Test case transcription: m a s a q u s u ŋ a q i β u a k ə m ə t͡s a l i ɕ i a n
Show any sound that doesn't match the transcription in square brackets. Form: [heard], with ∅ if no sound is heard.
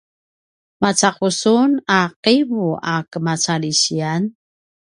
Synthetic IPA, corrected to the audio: m a [t͡s] a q u s u [n] a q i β u a k ə m [a] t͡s a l i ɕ i a n